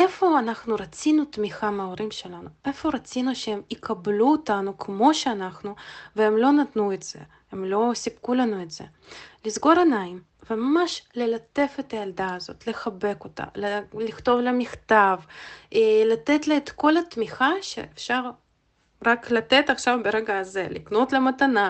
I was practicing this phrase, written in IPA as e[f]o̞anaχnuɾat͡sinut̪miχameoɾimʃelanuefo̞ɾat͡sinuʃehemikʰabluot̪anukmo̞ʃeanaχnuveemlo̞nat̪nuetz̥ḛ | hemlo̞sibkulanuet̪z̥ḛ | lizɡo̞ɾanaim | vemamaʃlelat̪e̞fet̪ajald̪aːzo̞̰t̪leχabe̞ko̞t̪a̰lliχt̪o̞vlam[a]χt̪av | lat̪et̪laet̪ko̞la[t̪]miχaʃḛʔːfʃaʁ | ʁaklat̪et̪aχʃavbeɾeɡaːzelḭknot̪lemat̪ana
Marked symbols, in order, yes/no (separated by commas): yes, no, yes